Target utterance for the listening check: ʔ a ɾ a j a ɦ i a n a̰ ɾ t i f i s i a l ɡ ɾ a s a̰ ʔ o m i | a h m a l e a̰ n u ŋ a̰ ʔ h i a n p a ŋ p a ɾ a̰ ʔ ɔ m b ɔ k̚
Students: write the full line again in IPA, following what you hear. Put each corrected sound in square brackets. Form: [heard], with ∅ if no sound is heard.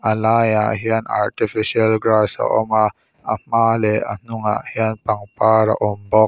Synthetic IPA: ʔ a [l] a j a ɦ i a n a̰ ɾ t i f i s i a l ɡ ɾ a s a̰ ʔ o m [a] | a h m a l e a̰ n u ŋ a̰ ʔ h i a n p a ŋ p a ɾ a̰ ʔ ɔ m b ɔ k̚